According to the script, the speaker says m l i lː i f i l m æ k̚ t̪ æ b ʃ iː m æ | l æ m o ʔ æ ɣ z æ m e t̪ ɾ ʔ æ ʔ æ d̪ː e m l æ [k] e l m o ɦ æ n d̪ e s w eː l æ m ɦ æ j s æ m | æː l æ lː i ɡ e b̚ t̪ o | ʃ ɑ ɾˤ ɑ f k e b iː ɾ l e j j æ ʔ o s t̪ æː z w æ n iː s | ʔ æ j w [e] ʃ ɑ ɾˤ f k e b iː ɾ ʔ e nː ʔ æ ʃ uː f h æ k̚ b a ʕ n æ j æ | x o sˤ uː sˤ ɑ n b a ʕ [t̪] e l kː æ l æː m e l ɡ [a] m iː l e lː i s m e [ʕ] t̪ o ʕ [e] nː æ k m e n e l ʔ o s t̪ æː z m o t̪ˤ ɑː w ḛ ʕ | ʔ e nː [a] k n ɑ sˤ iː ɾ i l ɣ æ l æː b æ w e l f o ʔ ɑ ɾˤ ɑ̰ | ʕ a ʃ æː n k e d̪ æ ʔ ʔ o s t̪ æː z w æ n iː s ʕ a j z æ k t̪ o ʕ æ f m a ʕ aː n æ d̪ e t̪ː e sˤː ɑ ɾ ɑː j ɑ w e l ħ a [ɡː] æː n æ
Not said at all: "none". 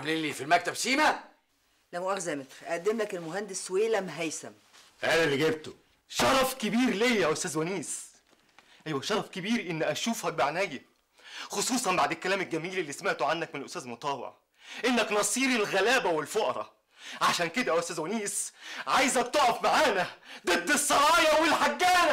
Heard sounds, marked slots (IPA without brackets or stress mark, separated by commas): k, æ, d̪, æ, ʕ, a, æ, ɡː